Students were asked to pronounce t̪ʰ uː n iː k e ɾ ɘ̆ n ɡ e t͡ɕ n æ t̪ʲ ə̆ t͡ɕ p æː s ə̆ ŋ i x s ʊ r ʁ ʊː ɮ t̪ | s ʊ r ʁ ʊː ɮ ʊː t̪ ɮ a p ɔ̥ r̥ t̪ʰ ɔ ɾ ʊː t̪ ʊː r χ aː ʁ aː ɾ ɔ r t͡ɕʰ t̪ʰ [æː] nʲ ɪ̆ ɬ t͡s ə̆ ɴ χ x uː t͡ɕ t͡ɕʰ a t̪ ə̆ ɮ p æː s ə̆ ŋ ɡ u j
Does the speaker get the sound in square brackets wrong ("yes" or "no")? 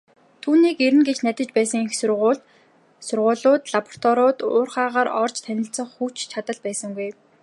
yes